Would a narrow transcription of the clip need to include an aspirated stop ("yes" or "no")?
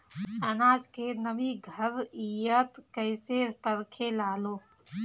yes